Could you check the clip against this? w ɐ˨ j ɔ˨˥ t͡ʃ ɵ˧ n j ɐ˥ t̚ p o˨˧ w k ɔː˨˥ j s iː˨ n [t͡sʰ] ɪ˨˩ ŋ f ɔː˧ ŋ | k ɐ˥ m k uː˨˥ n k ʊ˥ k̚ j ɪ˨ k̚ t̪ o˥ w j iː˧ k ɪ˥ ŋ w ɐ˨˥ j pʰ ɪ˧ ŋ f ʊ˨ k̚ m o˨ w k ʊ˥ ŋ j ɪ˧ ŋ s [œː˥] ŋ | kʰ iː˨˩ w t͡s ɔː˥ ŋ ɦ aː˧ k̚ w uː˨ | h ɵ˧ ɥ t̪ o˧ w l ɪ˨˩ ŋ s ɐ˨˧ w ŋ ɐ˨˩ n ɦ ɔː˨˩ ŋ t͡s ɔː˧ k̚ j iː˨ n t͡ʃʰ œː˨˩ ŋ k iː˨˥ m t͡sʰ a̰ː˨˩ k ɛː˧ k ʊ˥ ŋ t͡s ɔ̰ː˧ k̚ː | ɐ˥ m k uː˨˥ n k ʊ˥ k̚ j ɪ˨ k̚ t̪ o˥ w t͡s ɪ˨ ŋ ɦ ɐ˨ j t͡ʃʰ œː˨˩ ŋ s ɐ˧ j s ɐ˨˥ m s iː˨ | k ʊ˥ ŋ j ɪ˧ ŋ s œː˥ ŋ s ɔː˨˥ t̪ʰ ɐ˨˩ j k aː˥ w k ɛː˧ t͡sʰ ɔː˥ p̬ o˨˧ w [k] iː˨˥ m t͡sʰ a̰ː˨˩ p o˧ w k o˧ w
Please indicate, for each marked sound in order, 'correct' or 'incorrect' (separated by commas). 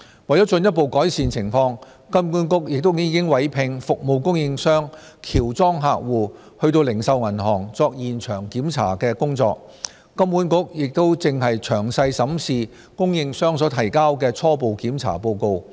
correct, correct, correct